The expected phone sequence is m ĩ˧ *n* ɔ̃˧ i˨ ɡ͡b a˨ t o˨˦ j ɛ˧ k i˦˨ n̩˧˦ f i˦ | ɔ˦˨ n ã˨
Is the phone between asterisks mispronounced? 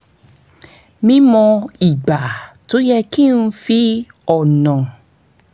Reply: yes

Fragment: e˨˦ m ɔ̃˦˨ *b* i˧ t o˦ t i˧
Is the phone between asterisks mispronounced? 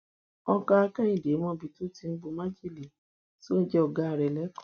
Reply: no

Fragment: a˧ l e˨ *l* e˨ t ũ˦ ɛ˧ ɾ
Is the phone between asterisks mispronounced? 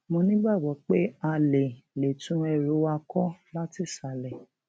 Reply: no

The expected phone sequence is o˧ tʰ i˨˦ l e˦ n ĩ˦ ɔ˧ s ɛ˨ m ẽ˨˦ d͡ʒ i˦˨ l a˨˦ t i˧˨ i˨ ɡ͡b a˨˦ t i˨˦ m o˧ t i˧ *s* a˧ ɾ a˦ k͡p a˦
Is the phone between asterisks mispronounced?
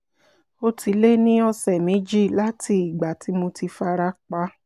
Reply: yes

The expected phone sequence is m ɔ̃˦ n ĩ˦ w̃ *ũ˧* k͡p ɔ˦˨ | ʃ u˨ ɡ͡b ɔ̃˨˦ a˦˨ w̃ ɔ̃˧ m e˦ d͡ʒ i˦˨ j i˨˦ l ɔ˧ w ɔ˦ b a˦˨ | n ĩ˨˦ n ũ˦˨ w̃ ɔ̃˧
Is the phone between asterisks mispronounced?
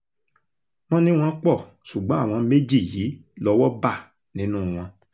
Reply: yes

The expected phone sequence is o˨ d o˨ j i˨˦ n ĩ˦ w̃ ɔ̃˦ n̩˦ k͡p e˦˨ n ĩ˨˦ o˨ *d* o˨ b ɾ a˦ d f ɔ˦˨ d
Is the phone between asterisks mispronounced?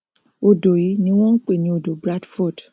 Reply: no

